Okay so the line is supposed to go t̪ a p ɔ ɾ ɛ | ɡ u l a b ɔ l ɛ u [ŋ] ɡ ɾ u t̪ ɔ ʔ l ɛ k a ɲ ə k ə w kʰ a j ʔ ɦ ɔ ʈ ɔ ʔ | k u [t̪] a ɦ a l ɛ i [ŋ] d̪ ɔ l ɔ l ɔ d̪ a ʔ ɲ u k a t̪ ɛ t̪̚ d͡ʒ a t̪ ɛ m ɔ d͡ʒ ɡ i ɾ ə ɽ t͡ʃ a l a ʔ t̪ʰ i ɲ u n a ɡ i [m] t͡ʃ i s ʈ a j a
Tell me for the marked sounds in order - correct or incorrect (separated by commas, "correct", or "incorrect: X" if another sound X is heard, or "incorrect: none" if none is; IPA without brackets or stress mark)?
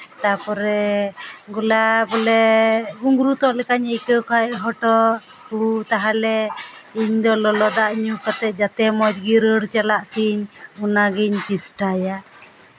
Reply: correct, correct, incorrect: ɲ, incorrect: ɲ